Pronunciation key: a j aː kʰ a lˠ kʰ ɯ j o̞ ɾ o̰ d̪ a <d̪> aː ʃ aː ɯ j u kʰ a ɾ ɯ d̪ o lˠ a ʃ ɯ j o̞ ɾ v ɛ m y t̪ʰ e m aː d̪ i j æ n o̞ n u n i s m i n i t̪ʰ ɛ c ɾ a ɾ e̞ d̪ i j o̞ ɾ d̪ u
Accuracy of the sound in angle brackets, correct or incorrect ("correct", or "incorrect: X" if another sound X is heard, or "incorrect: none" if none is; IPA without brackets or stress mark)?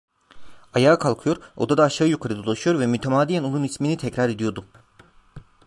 correct